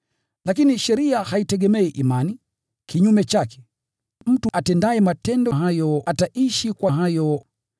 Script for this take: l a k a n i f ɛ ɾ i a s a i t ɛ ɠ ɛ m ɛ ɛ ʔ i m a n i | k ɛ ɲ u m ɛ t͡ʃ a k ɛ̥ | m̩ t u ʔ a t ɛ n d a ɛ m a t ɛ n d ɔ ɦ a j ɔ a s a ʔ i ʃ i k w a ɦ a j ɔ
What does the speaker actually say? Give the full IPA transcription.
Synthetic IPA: l a k i n i ʃ ɛ ɾ i a h a i t ɛ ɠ ɛ m ɛ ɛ ʔ i m a n i | k i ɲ u m ɛ t͡ʃ a k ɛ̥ | m̩ t u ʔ a t ɛ n d a ɛ m a t ɛ n d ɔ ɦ a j ɔ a t a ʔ i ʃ i k w a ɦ a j ɔ